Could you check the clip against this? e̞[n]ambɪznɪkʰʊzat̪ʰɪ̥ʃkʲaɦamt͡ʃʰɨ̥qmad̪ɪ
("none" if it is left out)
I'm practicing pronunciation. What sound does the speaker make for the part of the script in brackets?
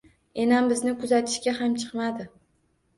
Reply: n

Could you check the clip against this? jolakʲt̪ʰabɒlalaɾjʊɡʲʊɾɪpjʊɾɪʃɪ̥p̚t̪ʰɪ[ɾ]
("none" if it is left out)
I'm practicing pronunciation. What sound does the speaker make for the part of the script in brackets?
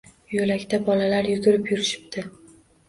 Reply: none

